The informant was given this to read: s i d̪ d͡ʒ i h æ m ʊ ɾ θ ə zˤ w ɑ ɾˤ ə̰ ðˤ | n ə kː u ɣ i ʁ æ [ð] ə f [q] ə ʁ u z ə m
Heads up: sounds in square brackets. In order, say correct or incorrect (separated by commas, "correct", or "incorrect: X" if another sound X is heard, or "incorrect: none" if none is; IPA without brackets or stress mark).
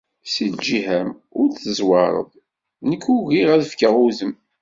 correct, incorrect: k